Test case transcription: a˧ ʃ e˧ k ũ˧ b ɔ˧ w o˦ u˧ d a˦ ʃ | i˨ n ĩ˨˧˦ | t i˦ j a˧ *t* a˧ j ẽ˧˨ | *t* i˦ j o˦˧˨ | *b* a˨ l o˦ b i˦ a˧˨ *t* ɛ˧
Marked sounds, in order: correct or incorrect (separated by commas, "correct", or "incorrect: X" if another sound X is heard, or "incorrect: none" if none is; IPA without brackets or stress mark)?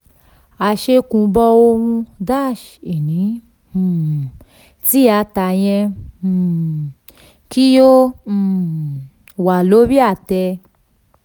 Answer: correct, incorrect: k, incorrect: w, correct